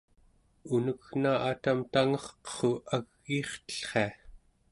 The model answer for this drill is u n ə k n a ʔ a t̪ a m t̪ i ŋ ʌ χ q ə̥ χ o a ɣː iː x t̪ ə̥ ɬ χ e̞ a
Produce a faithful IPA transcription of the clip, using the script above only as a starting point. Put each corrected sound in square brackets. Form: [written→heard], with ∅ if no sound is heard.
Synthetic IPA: u n ə k n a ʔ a t̪ a m t̪ [i→a] ŋ ʌ χ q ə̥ χ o a ɣː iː [x→χ] t̪ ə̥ ɬ χ e̞ a